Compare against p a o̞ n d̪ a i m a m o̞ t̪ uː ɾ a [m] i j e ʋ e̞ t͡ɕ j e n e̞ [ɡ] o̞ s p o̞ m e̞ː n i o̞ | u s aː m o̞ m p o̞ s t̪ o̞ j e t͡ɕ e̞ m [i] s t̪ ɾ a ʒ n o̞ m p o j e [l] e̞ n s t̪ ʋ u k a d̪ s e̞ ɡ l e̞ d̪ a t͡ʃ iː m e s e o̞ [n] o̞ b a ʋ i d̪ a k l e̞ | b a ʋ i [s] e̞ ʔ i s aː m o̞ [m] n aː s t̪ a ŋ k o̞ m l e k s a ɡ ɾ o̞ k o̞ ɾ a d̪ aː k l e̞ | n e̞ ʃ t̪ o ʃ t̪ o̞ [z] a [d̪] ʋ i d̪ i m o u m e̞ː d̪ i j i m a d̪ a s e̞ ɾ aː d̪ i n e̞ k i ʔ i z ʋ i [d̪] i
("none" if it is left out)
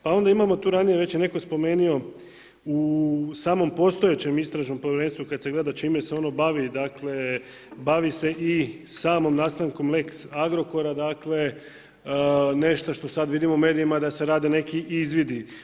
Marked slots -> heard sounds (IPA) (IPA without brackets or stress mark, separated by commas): n, k, i, ɾ, n, s, m, s, d̪, d̪